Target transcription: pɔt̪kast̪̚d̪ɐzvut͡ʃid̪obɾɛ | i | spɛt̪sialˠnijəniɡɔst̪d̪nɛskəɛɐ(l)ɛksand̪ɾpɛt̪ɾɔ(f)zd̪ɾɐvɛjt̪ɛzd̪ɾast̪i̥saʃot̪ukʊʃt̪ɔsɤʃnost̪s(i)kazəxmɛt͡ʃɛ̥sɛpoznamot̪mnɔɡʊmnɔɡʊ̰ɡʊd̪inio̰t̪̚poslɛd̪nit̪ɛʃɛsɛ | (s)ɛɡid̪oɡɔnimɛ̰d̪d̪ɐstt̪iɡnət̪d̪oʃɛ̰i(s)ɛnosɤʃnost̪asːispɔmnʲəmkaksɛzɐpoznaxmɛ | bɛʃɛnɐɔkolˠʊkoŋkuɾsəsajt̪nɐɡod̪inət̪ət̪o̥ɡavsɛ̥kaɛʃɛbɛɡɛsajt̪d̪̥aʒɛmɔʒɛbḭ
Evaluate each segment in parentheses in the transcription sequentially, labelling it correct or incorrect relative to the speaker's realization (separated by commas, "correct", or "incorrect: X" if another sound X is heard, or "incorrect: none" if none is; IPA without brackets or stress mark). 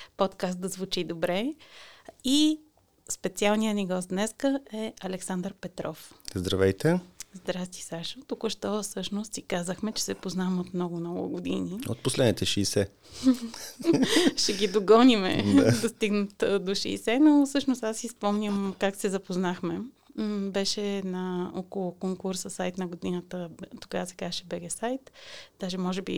correct, correct, correct, incorrect: ʃ, correct